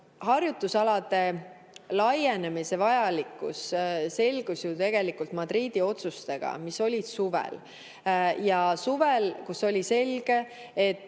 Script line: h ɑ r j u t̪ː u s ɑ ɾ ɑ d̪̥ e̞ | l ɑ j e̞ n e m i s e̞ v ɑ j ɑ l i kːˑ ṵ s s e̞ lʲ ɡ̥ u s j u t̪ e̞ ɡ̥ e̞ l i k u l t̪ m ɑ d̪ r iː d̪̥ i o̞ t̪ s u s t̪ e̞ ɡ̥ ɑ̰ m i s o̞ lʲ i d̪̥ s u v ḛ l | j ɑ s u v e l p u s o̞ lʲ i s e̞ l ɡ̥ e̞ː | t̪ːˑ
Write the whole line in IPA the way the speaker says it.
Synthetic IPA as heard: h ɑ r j u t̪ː u s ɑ l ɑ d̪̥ e̞ | l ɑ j e̞ n e m i s e̞ v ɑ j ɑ l i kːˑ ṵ s s e̞ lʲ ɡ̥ u s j u t̪ e̞ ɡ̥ e̞ l i k u l t̪ m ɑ d̪ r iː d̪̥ i o̞ t̪ s u s t̪ e̞ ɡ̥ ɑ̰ m i s o̞ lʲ i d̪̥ s u v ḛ l | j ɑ s u v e l k u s o̞ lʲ i s e̞ l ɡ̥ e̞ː | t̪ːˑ